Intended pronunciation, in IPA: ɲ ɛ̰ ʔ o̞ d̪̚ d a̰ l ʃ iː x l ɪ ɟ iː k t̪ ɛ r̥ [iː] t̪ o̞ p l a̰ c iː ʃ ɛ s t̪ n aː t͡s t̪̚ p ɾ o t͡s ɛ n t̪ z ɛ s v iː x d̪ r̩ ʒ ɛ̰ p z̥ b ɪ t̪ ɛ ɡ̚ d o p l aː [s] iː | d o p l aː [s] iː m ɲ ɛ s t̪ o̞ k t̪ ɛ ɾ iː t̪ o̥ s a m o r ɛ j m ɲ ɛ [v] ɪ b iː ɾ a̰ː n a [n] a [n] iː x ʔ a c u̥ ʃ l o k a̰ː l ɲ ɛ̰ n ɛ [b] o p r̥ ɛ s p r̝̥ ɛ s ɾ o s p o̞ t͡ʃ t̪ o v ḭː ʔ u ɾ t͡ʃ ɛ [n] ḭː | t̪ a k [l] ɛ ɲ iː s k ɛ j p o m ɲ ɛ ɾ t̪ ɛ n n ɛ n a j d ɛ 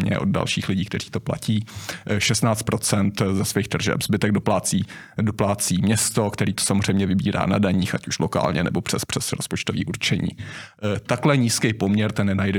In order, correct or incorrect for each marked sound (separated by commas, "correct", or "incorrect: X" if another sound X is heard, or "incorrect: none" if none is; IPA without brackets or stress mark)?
correct, incorrect: t͡s, incorrect: t͡s, correct, incorrect: d, incorrect: ɲ, correct, incorrect: ɲ, correct